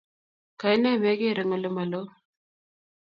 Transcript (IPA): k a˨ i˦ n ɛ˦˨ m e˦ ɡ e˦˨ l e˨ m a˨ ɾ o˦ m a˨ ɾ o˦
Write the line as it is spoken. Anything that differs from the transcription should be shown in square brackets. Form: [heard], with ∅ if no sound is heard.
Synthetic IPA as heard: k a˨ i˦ n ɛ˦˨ m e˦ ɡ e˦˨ [ɾ] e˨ [ŋ] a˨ [l] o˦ m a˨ [l] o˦